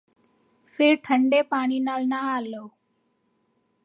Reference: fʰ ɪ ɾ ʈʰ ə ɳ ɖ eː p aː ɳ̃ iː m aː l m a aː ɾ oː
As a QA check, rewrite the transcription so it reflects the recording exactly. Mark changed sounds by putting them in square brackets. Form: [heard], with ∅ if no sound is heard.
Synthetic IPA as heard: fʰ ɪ ɾ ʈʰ ə ɳ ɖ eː p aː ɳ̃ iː [n] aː l [n] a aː [l] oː